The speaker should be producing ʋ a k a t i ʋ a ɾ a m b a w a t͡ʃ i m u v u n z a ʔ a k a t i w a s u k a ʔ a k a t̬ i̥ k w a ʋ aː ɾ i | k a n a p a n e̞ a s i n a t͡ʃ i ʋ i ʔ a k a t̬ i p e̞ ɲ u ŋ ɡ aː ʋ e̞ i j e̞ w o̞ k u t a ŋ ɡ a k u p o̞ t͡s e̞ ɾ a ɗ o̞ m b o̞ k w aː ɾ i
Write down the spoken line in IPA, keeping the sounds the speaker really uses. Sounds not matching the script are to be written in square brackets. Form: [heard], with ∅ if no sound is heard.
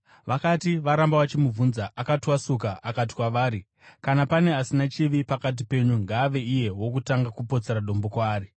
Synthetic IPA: ʋ a k a t i ʋ a ɾ a m b a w a t͡ʃ i m u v u n z a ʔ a k a t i w a s u k a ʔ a k a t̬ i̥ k w a ʋ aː ɾ i | k a n a p a n e̞ a s i n a t͡ʃ i ʋ i [p] a k a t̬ i p e̞ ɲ u ŋ ɡ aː ʋ e̞ i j e̞ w o̞ k u t a ŋ ɡ a k u p o̞ t͡s e̞ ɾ a ɗ o̞ m b o̞ k w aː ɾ i